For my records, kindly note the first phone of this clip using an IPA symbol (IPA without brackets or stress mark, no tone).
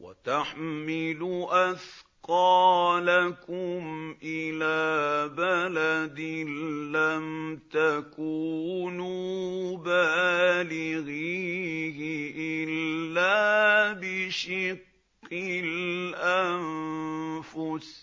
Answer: w